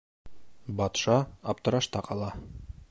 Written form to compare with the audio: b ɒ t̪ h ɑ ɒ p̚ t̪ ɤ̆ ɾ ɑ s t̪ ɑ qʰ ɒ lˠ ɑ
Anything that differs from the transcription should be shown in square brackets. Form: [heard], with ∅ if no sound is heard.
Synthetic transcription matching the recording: b ɒ t̪ [ʃ] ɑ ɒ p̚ t̪ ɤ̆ ɾ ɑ [ʃ] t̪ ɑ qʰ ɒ lˠ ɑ